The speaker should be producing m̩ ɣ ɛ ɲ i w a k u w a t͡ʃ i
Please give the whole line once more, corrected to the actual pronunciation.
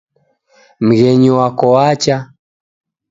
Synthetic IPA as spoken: m̩ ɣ ɛ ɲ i w a k ɔ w a t͡ʃ a